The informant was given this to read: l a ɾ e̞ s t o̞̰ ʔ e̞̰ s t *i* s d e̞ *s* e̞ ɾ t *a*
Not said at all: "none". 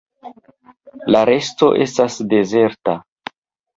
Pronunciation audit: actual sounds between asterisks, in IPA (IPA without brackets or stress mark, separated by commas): a, z, a